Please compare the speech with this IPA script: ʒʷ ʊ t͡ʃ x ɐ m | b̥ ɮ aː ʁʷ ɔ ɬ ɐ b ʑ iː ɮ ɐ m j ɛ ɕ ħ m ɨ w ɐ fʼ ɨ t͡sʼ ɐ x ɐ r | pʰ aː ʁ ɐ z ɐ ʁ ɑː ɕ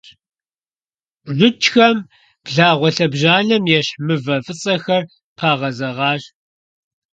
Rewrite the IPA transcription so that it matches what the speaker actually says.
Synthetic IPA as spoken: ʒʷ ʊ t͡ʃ x ɐ m | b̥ ɮ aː ʁʷ ɔ ɬ ɐ b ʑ aː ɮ ɐ m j ɛ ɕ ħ m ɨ v ɐ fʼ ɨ t͡sʼ ɐ x ɐ r | pʰ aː ʁ ɐ z ɐ ʁ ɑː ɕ

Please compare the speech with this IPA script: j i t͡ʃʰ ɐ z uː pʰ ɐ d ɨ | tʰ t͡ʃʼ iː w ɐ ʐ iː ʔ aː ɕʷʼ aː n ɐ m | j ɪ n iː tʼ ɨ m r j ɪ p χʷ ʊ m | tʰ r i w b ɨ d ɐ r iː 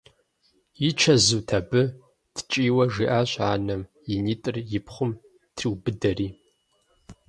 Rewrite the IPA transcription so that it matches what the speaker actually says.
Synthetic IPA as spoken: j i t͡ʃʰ ɐ z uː tʰ ɐ b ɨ | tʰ t͡ʃʼ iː w ɐ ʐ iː ʔ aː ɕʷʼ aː n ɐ m | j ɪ n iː tʼ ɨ r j ɪ p χʷ ʊ m | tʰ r i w b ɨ d ɐ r iː

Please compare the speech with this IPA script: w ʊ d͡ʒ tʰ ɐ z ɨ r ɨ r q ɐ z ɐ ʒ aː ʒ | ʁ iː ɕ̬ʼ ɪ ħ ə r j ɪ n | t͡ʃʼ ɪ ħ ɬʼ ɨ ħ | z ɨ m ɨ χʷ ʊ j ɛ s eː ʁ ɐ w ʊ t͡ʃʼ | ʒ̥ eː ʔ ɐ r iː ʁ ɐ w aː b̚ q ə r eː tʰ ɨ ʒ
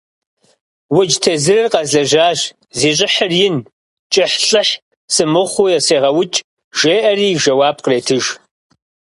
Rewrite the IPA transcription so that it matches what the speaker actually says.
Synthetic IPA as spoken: w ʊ d͡ʒ tʰ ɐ z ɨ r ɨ r q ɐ z ɐ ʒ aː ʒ | z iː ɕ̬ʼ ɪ ħ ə r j ɪ n | t͡ʃʼ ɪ ħ ɬʼ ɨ ħ | s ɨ m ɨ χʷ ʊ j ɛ s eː ʁ ɐ w ʊ t͡ʃʼ | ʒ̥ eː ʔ ɐ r iː ʒ ɐ w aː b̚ q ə r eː tʰ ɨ ʒ

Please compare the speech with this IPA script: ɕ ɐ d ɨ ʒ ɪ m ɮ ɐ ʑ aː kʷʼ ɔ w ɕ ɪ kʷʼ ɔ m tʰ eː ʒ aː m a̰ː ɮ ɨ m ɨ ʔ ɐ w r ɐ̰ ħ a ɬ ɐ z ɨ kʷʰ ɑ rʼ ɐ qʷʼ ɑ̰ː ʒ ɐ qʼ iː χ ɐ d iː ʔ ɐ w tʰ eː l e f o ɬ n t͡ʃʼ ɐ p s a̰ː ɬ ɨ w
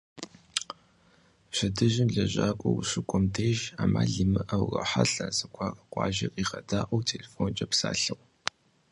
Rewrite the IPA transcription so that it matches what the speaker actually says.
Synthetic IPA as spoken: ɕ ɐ d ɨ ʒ ɪ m ɮ ɐ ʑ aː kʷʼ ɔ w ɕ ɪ kʷʼ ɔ m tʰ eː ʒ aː m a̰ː ɮ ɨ m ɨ ʔ ɐ w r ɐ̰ ħ a ɬ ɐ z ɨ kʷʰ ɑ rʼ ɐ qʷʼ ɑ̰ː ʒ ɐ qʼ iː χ ɐ d aː ʔ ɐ w tʰ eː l e f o n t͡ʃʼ ɐ p s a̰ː ɬ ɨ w

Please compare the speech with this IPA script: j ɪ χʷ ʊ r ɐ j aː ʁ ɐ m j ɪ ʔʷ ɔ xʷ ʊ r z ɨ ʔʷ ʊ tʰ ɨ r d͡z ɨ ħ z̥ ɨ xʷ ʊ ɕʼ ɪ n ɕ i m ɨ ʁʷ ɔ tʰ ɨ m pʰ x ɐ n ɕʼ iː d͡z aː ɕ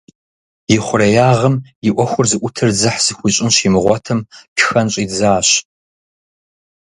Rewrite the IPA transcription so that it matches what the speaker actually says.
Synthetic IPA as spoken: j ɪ χʷ ʊ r ɐ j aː ʁ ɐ m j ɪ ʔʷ ɔ xʷ ʊ r z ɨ ʔʷ ʊ tʰ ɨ r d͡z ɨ ħ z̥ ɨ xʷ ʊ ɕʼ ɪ n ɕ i m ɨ ʁʷ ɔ tʰ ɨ m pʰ x ɐ n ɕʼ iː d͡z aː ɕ

